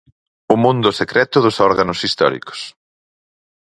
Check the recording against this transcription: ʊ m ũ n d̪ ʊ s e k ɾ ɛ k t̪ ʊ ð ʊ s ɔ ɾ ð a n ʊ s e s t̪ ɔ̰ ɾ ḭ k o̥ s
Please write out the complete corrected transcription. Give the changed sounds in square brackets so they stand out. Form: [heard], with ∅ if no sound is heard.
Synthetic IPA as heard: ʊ m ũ n d̪ ʊ s e k ɾ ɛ [∅] t̪ ʊ ð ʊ s ɔ ɾ [ɣ] a n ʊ s [i] s t̪ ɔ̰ ɾ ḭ k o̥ s